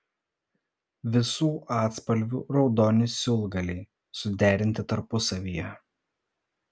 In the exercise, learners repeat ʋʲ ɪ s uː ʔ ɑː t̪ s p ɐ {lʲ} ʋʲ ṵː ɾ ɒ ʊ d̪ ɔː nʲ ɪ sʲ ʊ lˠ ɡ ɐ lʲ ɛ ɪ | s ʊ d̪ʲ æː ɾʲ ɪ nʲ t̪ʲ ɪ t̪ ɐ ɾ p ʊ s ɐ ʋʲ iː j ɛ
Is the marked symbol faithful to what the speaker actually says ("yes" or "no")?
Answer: yes